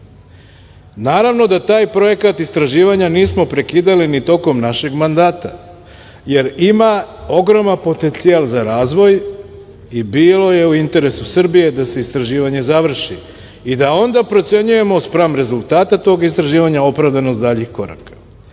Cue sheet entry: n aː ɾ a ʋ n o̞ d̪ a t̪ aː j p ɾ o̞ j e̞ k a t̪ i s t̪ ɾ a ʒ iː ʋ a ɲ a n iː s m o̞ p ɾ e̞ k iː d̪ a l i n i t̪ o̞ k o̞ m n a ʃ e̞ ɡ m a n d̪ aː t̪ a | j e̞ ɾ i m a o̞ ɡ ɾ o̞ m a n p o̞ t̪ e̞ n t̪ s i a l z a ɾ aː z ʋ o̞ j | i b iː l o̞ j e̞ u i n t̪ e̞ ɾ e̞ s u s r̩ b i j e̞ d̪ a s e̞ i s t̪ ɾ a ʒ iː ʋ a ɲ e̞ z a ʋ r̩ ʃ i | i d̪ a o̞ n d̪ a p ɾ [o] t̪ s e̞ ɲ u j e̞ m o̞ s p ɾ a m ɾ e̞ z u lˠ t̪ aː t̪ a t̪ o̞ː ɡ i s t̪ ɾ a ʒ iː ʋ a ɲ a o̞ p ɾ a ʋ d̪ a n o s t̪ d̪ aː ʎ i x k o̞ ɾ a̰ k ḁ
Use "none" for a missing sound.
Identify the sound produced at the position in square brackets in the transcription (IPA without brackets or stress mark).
o